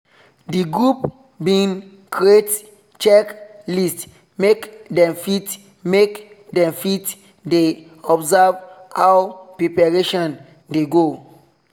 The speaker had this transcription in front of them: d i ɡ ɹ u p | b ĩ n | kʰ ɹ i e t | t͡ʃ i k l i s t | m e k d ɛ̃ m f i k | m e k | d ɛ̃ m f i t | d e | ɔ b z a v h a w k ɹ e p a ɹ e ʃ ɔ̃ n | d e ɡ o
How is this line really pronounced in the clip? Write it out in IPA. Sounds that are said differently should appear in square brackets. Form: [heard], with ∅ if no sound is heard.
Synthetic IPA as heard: d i ɡ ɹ u p | b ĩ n | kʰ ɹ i e t | t͡ʃ [ɛ] k l i s t | m e k d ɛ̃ m f i [t] | m e k | d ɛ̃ m f i t | d e | ɔ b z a v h a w [p] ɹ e p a ɹ e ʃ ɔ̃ n | d e ɡ o